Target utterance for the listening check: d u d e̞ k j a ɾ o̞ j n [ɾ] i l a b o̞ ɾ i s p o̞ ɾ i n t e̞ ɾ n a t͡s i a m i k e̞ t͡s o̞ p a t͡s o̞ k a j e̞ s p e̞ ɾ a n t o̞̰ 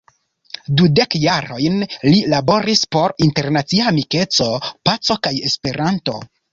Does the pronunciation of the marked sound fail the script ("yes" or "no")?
yes